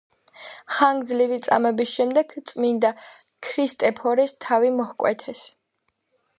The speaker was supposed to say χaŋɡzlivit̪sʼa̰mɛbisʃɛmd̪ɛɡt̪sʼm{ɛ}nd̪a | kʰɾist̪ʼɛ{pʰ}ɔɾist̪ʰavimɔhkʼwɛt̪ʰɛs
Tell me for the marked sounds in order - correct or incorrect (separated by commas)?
incorrect, correct